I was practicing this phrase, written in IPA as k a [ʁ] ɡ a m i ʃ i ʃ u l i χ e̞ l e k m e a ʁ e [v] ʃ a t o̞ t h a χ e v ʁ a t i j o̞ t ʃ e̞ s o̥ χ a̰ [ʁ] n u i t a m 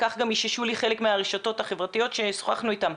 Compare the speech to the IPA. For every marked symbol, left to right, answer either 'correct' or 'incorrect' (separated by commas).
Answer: incorrect, incorrect, incorrect